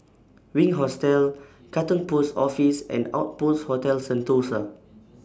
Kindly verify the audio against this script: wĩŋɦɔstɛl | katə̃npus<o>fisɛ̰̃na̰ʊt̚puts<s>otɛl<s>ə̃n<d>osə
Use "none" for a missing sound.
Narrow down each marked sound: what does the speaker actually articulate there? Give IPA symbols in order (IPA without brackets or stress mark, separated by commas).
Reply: ɔ, h, s, t